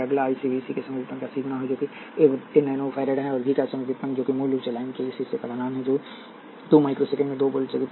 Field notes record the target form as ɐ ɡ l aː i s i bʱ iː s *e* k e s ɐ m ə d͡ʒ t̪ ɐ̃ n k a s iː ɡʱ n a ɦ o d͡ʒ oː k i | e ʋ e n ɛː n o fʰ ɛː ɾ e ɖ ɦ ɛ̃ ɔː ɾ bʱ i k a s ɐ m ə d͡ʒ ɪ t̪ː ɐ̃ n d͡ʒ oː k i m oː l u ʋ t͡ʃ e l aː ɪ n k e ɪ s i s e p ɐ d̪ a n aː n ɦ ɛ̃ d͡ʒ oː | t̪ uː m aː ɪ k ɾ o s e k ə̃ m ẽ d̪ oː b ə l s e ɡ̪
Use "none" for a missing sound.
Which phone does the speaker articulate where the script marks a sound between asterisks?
i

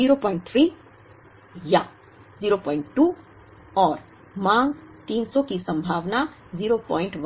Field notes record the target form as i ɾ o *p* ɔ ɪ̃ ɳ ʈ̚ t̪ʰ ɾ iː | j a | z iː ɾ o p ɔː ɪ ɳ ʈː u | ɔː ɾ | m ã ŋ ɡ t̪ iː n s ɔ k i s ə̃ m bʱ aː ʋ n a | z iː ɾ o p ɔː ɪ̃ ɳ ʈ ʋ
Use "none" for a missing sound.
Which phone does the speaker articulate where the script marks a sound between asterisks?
p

